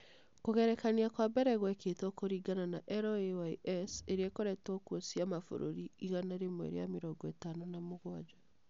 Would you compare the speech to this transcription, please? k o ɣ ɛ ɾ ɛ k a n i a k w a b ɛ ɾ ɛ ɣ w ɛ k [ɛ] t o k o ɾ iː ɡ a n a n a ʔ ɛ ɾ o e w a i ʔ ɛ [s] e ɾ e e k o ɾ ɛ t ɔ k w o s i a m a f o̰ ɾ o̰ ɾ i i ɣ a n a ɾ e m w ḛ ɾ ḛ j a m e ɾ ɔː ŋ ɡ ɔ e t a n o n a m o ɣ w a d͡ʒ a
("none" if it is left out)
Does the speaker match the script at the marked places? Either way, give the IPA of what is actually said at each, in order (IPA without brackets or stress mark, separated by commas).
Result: e, s